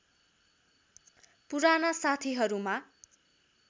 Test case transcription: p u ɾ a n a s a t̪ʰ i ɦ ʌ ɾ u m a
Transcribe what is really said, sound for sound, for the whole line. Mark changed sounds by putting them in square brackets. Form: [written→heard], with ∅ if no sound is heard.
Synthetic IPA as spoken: p u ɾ a n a s a t̪ʰ i ɦ ʌ ɾ u m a